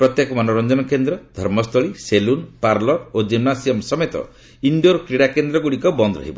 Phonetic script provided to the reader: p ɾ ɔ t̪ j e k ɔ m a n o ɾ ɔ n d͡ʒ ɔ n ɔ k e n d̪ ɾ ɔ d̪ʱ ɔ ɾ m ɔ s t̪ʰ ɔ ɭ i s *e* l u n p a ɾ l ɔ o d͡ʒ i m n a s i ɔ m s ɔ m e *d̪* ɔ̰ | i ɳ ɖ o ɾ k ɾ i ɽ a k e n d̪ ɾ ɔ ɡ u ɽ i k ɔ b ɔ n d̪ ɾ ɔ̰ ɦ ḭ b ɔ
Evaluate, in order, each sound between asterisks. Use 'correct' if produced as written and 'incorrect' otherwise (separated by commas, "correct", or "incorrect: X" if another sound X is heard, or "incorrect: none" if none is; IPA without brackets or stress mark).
correct, incorrect: t̪